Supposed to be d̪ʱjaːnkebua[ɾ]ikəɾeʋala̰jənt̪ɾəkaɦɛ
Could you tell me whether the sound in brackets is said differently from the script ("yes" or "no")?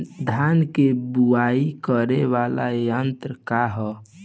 yes